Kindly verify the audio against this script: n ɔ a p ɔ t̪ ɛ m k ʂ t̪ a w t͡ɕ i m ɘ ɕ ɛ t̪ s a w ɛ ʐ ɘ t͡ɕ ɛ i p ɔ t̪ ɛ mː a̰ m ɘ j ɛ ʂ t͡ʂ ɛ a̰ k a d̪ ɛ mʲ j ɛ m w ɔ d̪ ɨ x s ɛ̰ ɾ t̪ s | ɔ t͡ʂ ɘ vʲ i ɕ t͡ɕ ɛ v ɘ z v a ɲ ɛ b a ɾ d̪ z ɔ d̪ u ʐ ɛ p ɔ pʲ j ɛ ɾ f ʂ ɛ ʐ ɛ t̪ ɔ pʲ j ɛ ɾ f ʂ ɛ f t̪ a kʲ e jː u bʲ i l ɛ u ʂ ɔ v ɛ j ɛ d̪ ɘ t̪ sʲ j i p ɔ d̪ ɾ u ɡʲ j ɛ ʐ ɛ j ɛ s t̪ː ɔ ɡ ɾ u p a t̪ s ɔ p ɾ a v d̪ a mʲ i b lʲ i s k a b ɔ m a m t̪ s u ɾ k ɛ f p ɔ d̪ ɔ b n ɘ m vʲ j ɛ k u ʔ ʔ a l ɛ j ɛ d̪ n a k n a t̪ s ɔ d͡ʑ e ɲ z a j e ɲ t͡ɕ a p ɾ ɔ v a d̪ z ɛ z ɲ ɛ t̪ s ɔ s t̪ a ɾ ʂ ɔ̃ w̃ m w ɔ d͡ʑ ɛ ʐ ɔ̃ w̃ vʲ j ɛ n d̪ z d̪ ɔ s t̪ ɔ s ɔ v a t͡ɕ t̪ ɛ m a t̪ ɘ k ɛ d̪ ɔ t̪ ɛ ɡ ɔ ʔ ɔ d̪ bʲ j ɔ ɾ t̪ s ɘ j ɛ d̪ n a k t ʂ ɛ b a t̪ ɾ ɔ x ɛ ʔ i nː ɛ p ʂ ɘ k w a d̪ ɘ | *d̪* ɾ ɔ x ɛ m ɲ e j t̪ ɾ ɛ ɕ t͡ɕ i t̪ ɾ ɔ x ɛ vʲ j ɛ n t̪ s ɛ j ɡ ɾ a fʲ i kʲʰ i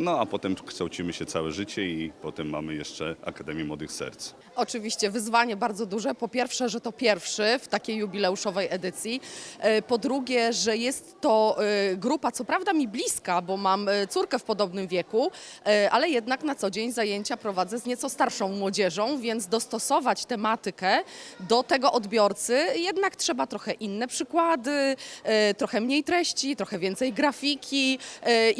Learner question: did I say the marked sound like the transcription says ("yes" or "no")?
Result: no